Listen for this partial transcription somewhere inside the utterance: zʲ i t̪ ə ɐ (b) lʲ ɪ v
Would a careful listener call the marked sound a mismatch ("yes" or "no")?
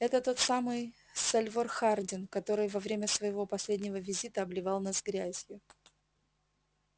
no